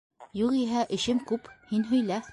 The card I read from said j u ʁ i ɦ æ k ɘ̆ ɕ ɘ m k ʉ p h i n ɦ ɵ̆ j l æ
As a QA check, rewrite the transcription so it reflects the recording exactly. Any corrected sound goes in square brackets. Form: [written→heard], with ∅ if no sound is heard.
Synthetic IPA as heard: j u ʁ i ɦ æ [k→ʔ] ɘ̆ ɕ ɘ m k ʉ p h i n ɦ ɵ̆ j l æ